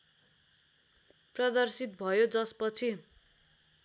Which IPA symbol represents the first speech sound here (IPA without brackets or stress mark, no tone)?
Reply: p